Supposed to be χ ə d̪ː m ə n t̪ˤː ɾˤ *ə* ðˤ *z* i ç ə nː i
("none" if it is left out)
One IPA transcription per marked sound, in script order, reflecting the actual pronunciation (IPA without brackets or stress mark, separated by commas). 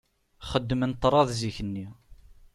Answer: ɑ, z